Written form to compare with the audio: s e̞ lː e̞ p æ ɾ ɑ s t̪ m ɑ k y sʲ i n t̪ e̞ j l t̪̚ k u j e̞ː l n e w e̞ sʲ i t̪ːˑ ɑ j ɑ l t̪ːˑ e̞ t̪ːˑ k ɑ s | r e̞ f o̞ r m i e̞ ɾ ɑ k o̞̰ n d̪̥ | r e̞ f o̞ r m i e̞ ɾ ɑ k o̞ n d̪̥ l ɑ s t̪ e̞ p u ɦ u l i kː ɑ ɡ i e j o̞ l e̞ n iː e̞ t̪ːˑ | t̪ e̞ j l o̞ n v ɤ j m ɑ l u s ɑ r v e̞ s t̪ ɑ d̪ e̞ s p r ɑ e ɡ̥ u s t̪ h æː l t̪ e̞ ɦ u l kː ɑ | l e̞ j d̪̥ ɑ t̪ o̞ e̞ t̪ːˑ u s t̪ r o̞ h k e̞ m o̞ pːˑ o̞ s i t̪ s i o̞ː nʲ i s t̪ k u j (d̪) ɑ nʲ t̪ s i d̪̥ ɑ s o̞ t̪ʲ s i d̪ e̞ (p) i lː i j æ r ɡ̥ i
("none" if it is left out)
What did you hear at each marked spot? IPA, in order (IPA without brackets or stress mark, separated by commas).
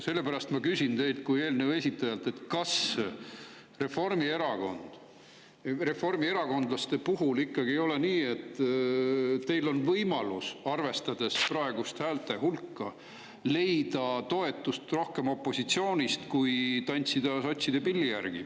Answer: t̪, p